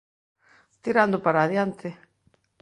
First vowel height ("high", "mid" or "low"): high